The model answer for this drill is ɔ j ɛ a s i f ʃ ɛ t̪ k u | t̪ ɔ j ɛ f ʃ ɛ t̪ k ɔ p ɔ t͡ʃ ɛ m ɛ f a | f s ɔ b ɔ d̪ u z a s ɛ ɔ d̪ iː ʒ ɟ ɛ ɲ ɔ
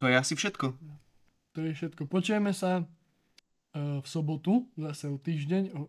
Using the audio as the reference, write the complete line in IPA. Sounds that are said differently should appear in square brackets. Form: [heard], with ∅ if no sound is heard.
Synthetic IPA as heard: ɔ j ɛ a s i f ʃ ɛ t̪ k [ɔ] | t̪ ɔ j ɛ f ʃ ɛ t̪ k ɔ p ɔ t͡ʃ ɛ m ɛ [s] a | f s ɔ b ɔ [t̪] u z a s ɛ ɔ [t̪] iː ʒ ɟ ɛ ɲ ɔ